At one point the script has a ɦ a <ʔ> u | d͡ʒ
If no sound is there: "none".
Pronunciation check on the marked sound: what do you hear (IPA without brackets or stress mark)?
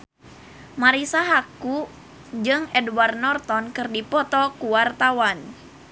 k